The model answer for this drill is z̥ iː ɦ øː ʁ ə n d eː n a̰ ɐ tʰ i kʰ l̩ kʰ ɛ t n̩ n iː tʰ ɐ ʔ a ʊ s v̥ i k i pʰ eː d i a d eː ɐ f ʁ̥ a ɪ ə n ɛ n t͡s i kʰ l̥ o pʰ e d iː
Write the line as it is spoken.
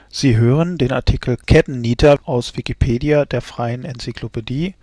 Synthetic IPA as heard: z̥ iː ɦ øː ʁ ə n d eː n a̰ ɐ tʰ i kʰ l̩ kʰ ɛ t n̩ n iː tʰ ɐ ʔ a ʊ s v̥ i k i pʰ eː d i a d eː ɐ f ʁ̥ a ɪ ə n ɛ n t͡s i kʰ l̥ o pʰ e d iː

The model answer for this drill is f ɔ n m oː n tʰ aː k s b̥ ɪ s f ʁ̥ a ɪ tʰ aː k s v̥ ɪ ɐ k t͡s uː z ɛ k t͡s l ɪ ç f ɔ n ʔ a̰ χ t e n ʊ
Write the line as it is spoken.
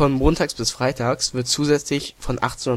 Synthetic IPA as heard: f ɔ n m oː n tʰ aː k s b̥ ɪ s f ʁ̥ a ɪ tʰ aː k s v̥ ɪ ɐ t t͡s uː z ɛ t͡s l ɪ ç f ɔ n ʔ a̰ χ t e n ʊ

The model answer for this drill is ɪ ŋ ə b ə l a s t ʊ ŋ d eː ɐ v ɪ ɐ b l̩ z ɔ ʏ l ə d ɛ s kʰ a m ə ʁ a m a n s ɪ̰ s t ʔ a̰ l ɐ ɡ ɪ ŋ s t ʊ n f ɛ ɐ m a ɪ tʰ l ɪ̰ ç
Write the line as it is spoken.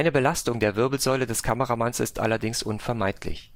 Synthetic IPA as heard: ɪ n ə b ə l a s t ʊ ŋ d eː ɐ v ɪ ɐ b l̩ z ɔ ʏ l ə d ɛ s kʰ a m ə ʁ a m a n s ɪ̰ s t ʔ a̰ l ɐ d ɪ ŋ s ʔ ʊ n f ɛ ɐ m a ɪ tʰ l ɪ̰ ç

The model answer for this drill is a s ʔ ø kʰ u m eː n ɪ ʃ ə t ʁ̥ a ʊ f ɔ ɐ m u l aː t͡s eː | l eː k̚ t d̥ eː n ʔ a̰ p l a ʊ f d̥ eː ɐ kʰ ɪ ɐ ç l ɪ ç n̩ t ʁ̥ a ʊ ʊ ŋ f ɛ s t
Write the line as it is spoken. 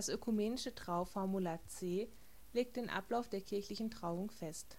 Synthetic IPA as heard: a s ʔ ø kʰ u m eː n ɪ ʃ ə t ʁ̥ a ʊ f ɔ ɐ m u l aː t͡s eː | l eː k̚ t d̥ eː n ʔ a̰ p l a ʊ f d̥ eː ɐ kʰ ɪ ɐ ç l ɪ ç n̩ t ʁ̥ a ʊ ʊ ŋ f ɛ s t

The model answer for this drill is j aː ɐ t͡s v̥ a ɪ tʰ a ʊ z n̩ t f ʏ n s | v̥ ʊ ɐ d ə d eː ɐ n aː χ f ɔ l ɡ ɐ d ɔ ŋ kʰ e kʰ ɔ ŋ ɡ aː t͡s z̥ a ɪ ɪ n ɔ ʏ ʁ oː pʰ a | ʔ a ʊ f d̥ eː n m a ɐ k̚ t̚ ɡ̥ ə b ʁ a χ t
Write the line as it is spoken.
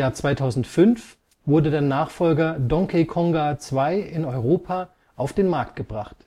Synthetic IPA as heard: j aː ɐ t͡s v̥ a ɪ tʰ a ʊ z n̩ t f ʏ n f | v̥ ʊ ɐ d ə d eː ɐ n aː χ f ɔ l ɡ ɐ d ɔ ŋ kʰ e kʰ ɔ ŋ ɡ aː t͡s v̥ a ɪ ɪ n ɔ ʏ ʁ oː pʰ a | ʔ a ʊ f d̥ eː n m a ɐ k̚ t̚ ɡ̥ ə b ʁ a χ t

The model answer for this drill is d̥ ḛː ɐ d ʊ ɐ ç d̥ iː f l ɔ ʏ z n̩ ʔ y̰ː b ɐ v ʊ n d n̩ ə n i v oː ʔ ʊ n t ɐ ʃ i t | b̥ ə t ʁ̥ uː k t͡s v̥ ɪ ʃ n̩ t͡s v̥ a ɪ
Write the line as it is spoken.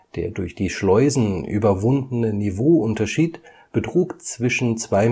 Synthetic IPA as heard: d̥ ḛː ɐ d ʊ ɐ ç d̥ iː ʃ l ɔ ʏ z n̩ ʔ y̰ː b ɐ v ʊ n d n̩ ə n i v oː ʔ ʊ n t ɐ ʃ iː t | b̥ ə t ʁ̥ uː k t͡s v̥ ɪ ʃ n̩ t͡s v̥ a ɪ

